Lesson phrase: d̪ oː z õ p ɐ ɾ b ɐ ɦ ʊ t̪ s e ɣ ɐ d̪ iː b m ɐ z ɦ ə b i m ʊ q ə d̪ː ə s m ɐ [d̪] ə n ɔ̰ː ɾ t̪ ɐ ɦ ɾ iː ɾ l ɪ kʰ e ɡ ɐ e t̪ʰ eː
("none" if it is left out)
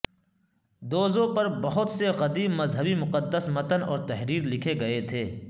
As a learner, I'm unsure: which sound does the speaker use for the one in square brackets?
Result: t̪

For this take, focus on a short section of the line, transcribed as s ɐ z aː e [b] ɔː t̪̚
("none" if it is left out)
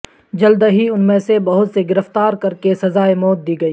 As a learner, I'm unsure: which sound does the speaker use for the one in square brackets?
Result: m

